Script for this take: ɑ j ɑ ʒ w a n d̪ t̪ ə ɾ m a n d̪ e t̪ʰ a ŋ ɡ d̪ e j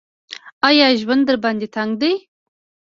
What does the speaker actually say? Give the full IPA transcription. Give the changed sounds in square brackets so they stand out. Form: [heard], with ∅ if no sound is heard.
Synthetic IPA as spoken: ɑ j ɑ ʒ w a n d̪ [d̪] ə ɾ [b] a n d̪ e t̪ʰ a ŋ ɡ d̪ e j